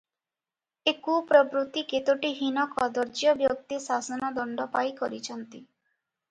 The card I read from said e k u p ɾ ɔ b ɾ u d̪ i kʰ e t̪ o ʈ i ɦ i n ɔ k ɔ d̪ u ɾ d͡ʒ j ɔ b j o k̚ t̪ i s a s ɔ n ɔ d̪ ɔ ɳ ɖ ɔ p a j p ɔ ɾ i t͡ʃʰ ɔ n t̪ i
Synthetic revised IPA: e k u p ɾ ɔ b ɾ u t̪ i k e t̪ o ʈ i ɦ i n ɔ k ɔ d̪ ɔ ɾ d͡ʒ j ɔ b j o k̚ t̪ i s a s ɔ n ɔ d̪ ɔ ɳ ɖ ɔ p a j k ɔ ɾ i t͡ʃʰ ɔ n t̪ i